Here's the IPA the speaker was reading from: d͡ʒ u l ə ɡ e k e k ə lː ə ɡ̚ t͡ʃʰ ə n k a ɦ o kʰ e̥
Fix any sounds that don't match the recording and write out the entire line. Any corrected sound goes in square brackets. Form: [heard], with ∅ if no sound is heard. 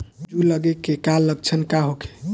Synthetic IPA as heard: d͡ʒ u l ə ɡ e k e k [a] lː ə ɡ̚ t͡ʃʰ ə n k a ɦ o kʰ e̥